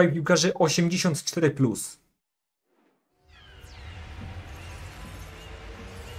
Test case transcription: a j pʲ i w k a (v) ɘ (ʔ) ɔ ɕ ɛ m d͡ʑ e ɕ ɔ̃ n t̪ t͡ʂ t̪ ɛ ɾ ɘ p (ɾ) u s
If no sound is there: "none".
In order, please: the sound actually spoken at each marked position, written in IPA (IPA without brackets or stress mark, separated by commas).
ʐ, ʔ, l